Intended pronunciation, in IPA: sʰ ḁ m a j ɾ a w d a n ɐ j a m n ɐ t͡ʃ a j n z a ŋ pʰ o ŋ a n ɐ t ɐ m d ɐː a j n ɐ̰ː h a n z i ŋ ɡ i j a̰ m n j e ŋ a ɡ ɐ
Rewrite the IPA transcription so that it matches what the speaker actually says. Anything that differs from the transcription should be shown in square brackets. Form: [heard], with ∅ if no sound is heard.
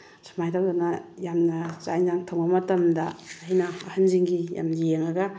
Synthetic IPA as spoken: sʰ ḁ m a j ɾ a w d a n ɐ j a m n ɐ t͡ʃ a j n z a ŋ [tʰ] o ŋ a [m] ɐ t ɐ m d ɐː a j n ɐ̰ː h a n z i ŋ ɡ i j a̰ m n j e ŋ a ɡ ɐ